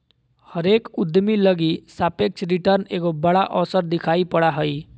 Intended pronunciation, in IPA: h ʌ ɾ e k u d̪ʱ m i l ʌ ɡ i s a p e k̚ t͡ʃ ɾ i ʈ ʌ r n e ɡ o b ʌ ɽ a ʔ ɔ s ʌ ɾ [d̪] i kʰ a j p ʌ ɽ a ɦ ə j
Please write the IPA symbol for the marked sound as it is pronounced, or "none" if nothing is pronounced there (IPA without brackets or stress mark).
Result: d̪